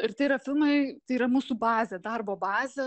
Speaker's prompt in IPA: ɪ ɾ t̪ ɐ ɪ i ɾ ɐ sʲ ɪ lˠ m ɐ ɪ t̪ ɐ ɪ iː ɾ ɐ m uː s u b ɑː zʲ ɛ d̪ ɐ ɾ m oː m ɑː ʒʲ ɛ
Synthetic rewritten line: ɪ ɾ t̪ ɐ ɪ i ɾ ɐ fʲ ɪ lˠ m ɐ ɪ t̪ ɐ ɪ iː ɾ ɐ m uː s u b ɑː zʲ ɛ d̪ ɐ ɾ b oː b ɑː zʲ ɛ